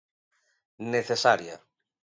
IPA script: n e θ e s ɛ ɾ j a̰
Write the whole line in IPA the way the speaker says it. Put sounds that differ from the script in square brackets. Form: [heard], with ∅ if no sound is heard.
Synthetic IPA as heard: n e θ e s [a] ɾ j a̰